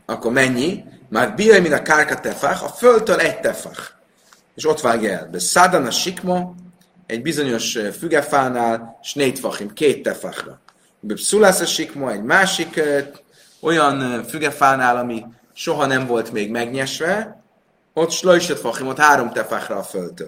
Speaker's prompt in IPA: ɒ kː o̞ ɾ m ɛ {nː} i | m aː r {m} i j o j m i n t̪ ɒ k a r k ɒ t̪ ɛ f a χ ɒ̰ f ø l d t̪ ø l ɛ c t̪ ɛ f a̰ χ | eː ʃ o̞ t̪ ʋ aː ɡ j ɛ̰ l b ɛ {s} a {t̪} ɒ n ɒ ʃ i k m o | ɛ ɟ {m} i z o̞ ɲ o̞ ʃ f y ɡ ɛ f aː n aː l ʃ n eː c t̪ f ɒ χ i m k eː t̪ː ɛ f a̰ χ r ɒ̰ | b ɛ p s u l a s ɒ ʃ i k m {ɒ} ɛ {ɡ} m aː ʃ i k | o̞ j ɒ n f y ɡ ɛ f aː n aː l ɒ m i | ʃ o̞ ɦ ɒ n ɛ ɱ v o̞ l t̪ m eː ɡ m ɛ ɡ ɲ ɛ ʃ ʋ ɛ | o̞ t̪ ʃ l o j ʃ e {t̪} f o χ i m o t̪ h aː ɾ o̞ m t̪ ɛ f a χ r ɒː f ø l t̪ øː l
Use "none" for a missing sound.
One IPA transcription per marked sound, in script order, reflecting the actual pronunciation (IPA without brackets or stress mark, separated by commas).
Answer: ɲː, b, s, d̪, b, o, ɟ, t̪